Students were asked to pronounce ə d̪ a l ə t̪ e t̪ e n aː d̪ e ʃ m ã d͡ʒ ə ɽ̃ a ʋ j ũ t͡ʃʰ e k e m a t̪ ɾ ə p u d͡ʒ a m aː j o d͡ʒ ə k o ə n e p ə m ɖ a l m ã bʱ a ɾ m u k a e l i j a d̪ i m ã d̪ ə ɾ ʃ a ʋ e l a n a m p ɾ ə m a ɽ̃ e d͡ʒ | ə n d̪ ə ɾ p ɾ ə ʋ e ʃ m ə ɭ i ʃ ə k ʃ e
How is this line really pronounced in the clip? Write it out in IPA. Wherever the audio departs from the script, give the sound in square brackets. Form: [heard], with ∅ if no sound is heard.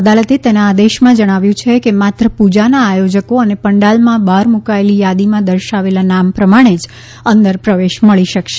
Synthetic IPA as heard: ə d̪ a l ə t̪ e t̪ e n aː d̪ e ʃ m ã d͡ʒ ə ɽ̃ a ʋ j ũ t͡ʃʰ e k e m a t̪ ɾ ə p u d͡ʒ a [n] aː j o d͡ʒ ə k o ə n e p ə [ɳ] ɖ a l m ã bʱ a ɾ m u k a e l i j a d̪ i m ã d̪ ə ɾ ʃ a ʋ e l a n a m p ɾ ə m a ɽ̃ e d͡ʒ | ə n d̪ ə ɾ p ɾ ə ʋ e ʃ m ə ɭ i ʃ ə k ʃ e